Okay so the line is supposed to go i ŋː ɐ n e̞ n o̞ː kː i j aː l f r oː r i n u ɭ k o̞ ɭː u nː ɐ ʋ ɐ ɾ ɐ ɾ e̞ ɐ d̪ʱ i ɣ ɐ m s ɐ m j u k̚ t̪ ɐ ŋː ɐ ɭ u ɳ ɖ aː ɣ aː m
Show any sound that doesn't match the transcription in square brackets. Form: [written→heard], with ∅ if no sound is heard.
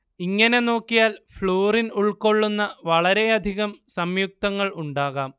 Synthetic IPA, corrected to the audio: i ŋː ɐ n e̞ n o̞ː kː i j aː l f [r→ɭ] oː r i n u ɭ k o̞ ɭː u nː ɐ ʋ ɐ [ɾ→ɭ] ɐ ɾ e̞ ɐ d̪ʱ i ɣ ɐ m s ɐ m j u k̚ t̪ ɐ ŋː ɐ ɭ u ɳ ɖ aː ɣ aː m

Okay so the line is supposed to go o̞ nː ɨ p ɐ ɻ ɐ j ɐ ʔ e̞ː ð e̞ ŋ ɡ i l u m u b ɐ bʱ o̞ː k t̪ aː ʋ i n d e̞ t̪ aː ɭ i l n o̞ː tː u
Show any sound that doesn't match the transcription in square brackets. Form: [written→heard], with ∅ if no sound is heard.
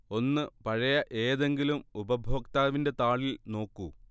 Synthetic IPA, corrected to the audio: o̞ nː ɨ p ɐ ɻ ɐ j ɐ ʔ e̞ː ð e̞ ŋ ɡ i l u m u b ɐ bʱ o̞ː k t̪ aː ʋ i n d e̞ t̪ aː ɭ i l n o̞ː [tː→kː] u

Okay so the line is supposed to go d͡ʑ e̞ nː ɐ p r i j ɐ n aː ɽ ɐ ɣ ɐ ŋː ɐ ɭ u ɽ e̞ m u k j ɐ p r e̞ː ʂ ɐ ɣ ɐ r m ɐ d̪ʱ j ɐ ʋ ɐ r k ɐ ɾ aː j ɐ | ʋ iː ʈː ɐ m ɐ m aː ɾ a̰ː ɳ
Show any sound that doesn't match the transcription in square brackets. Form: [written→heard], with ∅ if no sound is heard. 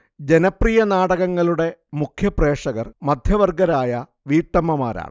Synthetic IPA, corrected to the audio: d͡ʑ e̞ [nː→n] ɐ p r i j ɐ n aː ɽ ɐ ɣ ɐ ŋː ɐ ɭ u ɽ e̞ m u [k→kʰ] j ɐ p r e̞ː ʂ ɐ ɣ ɐ r m ɐ d̪ʱ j ɐ ʋ ɐ r [k→ɡ] ɐ ɾ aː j ɐ | ʋ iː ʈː ɐ m ɐ m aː ɾ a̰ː ɳ

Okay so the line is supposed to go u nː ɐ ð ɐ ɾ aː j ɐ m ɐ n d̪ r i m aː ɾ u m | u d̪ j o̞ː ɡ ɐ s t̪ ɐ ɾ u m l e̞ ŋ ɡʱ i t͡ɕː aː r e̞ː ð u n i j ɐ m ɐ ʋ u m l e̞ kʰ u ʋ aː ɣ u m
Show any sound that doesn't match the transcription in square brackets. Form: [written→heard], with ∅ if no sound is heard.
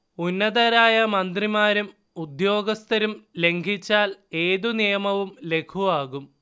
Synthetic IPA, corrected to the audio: u nː ɐ ð ɐ ɾ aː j ɐ m ɐ n d̪ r i m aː ɾ u m | u d̪ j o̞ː ɡ ɐ s t̪ ɐ ɾ u m l e̞ ŋ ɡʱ i t͡ɕː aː [r→l] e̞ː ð u n i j ɐ m ɐ ʋ u m l e̞ kʰ u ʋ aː ɣ u m

